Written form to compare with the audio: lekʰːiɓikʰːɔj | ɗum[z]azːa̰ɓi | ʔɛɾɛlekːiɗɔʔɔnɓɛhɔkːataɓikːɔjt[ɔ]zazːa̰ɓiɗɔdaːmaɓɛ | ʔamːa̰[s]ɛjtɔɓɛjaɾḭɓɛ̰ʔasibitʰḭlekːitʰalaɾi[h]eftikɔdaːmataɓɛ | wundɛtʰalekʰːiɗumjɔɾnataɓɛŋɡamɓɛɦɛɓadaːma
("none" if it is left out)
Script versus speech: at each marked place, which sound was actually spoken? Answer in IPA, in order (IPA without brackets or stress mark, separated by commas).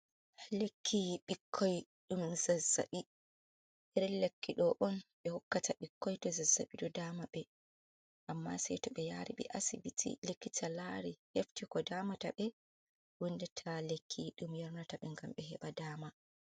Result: z, ɔ, s, h